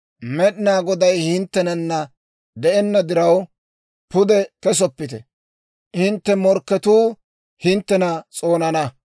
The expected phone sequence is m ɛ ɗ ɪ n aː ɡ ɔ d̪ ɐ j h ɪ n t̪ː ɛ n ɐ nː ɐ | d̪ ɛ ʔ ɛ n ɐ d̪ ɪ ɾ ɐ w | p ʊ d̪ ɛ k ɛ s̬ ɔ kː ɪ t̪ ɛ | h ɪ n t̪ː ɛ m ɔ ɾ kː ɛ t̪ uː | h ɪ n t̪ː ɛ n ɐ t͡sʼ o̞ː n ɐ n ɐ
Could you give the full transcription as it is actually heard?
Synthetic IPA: m ɛ ɗ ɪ n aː ɡ ɔ d̪ ɐ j h ɪ n t̪ː ɛ n ɐ nː ɐ | d̪ ɛ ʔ ɛ nː ɐ d̪ ɪ ɾ ɐ w | p ʊ d̪ ɛ k ɛ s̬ ɔ pː ɪ t̪ ɛ | h ɪ n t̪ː ɛ m ɔ ɾ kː ɛ t̪ uː | h ɪ n t̪ː ɛ n ɐ t͡sʼ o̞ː n ɐ n ɐ